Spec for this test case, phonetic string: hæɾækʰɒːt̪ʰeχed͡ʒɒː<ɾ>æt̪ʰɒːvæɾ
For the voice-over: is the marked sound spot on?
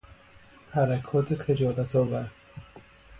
no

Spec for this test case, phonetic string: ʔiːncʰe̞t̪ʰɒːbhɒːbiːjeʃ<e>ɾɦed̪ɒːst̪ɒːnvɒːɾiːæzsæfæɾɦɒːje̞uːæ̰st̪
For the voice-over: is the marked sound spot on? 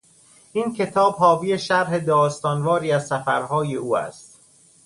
no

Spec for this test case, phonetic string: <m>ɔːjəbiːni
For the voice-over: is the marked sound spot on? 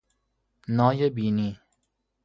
no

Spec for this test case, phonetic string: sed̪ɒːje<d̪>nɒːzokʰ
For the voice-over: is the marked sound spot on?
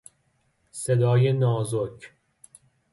no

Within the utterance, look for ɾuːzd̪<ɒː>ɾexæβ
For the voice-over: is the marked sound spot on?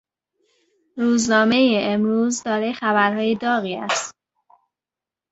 yes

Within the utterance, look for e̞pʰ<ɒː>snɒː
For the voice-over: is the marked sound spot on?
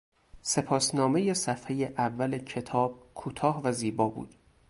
yes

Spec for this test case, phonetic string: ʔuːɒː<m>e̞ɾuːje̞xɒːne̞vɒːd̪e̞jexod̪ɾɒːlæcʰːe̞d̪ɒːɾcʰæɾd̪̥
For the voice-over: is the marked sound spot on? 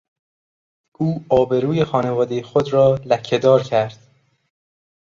no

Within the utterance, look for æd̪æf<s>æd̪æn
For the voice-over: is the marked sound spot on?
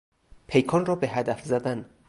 no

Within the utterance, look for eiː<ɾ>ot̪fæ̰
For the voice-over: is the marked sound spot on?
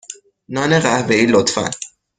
no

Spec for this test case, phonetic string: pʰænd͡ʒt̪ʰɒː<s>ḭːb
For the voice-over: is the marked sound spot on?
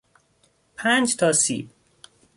yes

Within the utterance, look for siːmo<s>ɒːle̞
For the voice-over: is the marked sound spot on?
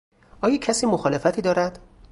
no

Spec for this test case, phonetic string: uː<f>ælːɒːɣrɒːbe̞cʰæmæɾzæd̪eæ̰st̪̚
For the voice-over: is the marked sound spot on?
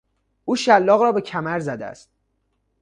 no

